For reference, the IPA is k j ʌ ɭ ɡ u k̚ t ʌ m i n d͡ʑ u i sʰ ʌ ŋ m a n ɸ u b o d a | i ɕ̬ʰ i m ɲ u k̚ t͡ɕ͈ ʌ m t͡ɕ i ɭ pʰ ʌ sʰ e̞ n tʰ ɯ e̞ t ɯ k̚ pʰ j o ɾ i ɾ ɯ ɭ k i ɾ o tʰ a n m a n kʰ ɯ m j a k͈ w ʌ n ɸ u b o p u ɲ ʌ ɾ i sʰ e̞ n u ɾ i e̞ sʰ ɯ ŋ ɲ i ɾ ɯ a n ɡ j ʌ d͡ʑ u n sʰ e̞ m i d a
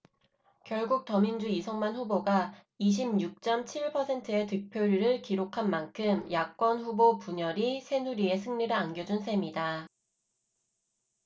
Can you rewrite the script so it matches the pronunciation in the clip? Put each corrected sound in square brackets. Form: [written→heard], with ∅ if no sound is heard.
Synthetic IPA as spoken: k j ʌ ɭ ɡ u k̚ t ʌ m i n d͡ʑ u i sʰ ʌ ŋ m a n ɸ u b o [d→ɡ] a | i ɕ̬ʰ i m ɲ u k̚ t͡ɕ͈ ʌ m [t͡ɕ→t͡ɕʰ] i ɭ pʰ ʌ sʰ e̞ n tʰ ɯ e̞ t ɯ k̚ pʰ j o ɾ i ɾ ɯ ɭ k i ɾ o [tʰ→kʰ] a n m a n kʰ ɯ m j a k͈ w ʌ n ɸ u b o p u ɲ ʌ ɾ i sʰ e̞ n u ɾ i e̞ sʰ ɯ ŋ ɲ i ɾ ɯ a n ɡ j ʌ d͡ʑ u n sʰ e̞ m i d a